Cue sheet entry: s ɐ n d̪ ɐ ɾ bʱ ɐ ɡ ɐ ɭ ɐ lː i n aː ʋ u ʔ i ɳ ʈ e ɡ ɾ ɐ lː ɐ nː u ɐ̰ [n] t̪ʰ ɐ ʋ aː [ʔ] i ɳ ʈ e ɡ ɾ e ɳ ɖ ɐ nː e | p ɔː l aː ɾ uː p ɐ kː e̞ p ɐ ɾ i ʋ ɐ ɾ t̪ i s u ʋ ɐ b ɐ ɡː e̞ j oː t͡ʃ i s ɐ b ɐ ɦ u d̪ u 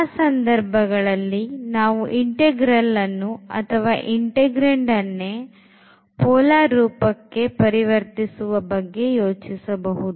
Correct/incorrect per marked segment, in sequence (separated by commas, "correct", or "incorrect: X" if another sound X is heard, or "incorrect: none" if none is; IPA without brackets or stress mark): incorrect: none, correct